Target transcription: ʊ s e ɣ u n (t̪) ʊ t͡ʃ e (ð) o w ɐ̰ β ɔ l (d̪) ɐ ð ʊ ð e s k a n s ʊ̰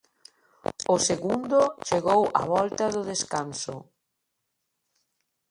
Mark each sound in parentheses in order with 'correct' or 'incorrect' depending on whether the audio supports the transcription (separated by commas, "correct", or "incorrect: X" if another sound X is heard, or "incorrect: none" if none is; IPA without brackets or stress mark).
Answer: incorrect: d̪, incorrect: ɣ, incorrect: t̪